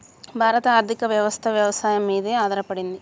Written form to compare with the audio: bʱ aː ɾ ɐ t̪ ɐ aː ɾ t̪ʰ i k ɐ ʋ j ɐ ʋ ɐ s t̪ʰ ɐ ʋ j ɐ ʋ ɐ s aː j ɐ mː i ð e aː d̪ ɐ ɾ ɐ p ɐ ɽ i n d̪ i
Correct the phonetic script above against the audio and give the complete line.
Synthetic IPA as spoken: bʱ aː ɾ ɐ t̪ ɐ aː ɾ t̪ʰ i k ɐ ʋ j ɐ ʋ ɐ s t̪ʰ ɐ ʋ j ɐ ʋ ɐ s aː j ɐ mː iː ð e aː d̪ ɐ ɾ ɐ p ɐ ɽ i n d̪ i